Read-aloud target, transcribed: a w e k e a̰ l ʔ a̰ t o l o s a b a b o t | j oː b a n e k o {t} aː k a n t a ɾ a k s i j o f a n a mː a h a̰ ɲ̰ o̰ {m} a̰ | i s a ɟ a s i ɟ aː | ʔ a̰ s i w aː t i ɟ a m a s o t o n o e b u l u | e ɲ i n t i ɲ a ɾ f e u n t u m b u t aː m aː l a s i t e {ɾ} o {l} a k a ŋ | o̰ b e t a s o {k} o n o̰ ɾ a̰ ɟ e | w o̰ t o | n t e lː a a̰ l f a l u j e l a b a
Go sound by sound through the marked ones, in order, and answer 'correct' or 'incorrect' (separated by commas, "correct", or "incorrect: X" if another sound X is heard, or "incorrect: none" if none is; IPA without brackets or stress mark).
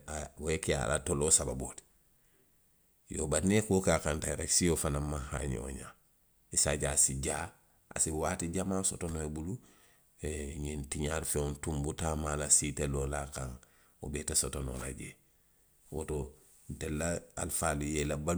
incorrect: k, incorrect: ɲ, incorrect: l, correct, incorrect: t